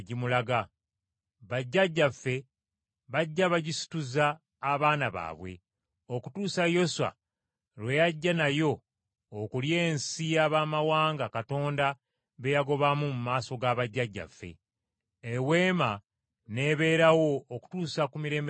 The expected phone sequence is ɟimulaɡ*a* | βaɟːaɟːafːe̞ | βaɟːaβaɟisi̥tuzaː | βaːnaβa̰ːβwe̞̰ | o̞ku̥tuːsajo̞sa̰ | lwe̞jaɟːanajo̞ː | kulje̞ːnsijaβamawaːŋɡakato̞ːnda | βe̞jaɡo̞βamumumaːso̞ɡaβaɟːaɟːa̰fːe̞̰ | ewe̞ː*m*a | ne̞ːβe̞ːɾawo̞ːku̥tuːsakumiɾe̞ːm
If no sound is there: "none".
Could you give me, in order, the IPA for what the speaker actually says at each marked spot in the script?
a, m

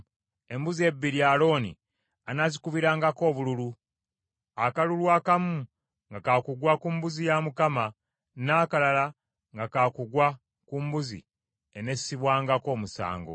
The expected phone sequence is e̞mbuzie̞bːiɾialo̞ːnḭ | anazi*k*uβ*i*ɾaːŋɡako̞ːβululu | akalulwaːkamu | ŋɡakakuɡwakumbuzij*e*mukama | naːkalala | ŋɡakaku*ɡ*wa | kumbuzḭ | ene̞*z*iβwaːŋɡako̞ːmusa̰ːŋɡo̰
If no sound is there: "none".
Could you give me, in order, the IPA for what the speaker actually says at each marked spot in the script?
k, i, a, ɡ, s

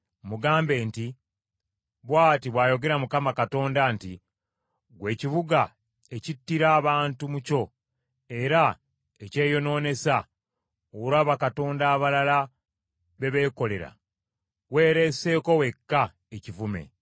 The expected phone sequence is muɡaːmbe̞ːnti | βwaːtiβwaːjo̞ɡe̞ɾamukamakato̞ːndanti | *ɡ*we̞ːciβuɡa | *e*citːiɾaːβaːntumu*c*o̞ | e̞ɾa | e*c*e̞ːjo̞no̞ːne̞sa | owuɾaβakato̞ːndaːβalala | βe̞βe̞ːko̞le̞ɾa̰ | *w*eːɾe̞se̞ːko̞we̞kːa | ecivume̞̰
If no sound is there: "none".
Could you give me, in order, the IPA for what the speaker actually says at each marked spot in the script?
ɡ, e, c, c, w

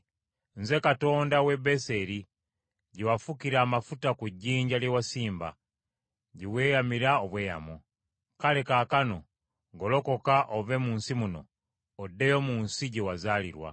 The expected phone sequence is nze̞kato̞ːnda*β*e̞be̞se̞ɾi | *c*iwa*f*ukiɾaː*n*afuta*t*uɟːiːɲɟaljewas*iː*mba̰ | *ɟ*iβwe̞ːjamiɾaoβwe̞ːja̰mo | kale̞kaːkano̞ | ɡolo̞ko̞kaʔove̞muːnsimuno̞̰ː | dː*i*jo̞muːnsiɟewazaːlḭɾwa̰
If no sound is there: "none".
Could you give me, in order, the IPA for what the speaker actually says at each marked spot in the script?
w, ɟ, f, m, k, iː, ɟ, e

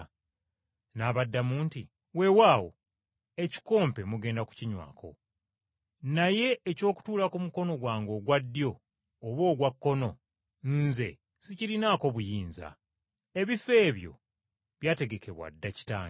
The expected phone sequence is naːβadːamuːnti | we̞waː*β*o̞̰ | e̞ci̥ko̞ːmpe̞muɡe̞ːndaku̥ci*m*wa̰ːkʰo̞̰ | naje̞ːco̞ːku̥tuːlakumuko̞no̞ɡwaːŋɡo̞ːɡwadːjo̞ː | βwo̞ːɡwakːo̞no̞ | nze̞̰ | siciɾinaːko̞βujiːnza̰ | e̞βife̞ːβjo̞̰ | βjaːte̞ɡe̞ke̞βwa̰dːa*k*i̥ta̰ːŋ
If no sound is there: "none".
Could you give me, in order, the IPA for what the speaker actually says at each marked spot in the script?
w, ɲ, c

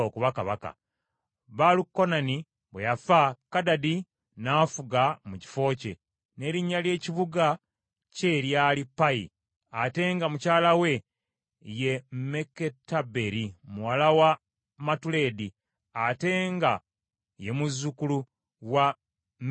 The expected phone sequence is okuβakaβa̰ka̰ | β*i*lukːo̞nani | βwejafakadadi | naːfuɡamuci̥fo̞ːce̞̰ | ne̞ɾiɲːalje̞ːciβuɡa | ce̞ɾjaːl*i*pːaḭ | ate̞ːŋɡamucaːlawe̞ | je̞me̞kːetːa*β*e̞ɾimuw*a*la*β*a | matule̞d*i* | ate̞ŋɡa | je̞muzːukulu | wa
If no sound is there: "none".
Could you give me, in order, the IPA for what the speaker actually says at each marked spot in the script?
a, i, b, a, w, i

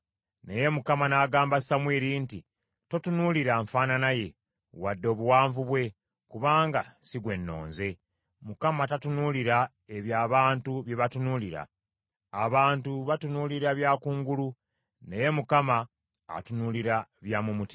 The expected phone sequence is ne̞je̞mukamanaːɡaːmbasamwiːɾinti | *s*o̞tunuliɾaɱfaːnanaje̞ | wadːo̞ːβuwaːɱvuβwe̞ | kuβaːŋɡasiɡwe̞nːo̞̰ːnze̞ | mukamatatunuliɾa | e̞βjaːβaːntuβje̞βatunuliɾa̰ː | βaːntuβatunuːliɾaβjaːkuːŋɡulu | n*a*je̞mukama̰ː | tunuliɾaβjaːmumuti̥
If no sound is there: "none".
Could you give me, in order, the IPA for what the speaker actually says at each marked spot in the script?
t, e

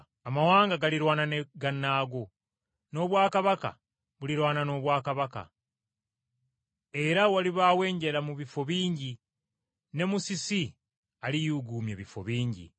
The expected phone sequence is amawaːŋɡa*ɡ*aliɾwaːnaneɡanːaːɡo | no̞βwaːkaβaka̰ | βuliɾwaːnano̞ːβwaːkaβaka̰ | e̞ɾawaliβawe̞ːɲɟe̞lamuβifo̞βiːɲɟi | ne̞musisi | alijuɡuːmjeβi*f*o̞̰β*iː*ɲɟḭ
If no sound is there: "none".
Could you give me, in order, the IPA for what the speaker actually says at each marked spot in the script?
ɡ, f, iː

